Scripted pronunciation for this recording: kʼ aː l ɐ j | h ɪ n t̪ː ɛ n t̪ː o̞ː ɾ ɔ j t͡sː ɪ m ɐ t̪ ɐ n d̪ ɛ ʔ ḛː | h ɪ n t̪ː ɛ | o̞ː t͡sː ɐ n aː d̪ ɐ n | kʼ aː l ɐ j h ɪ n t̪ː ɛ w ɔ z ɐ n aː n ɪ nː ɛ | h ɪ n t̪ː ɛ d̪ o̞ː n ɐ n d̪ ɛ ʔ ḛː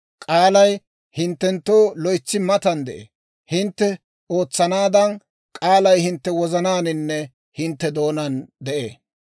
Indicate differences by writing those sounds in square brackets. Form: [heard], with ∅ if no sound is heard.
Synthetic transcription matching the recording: kʼ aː l ɐ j | h ɪ n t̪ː ɛ n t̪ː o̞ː [l] ɔ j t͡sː ɪ m ɐ t̪ ɐ n d̪ ɛ ʔ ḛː | h ɪ n t̪ː ɛ | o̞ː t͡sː ɐ n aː d̪ ɐ n | kʼ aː l ɐ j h ɪ n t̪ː ɛ w ɔ z ɐ n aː n ɪ nː ɛ | h ɪ n t̪ː ɛ d̪ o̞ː n ɐ n d̪ ɛ ʔ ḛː